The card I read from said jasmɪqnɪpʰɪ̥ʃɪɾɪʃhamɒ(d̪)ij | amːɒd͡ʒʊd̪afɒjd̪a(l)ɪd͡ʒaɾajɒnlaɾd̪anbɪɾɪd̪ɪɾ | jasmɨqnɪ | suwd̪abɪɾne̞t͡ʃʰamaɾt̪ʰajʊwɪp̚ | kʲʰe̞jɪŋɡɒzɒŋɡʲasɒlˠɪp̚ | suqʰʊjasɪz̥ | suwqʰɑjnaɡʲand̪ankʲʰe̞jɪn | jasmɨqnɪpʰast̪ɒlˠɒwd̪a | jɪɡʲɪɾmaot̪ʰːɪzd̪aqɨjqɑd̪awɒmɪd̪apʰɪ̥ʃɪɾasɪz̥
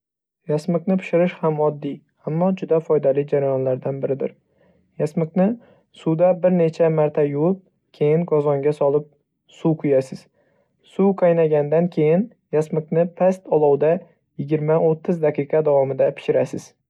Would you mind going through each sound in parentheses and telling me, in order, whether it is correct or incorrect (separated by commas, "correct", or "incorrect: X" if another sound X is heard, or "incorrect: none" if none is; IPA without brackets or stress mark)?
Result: incorrect: d̪ː, correct